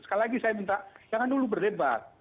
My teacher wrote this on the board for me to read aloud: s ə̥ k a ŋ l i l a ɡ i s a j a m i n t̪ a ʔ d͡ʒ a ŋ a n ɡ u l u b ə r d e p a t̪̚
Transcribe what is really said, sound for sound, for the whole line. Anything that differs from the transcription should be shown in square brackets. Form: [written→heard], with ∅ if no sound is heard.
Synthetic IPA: s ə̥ k a [ŋ→∅] l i l a ɡ i s a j a m i n t̪ a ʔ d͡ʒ a ŋ a n [ɡ→d] u l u b ə r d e [p→b] a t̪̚